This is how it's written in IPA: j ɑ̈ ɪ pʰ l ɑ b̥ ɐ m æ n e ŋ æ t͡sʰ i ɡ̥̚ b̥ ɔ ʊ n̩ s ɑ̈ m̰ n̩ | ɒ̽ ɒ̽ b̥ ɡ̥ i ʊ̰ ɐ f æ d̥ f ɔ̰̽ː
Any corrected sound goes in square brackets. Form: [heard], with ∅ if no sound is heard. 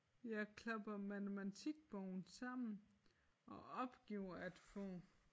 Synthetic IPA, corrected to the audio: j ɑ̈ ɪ [kʰ] l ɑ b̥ ɐ m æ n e [m] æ t͡sʰ i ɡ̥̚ b̥ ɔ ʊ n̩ s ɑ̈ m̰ n̩ | ɒ̽ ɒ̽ b̥ ɡ̥ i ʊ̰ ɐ [∅] æ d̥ f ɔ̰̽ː